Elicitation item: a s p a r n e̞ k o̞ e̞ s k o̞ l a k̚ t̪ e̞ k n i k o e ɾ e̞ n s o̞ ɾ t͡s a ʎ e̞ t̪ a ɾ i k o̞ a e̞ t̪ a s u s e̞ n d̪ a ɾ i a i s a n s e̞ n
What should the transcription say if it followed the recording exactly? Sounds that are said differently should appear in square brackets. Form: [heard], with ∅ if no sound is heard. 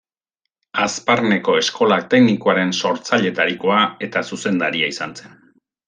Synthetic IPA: a s p a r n e̞ k o̞ e̞ s k o̞ l a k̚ t̪ e̞ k n i k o [a] ɾ e̞ n s o̞ ɾ t͡s a ʎ e̞ t̪ a ɾ i k o̞ a e̞ t̪ a s u s e̞ n d̪ a ɾ i a i s a n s e̞ n